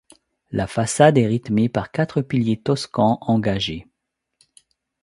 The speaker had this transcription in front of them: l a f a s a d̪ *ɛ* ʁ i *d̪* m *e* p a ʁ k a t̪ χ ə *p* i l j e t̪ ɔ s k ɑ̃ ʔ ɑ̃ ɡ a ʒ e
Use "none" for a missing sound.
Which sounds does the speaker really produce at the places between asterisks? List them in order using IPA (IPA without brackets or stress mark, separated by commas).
ɛ, t̪, e, p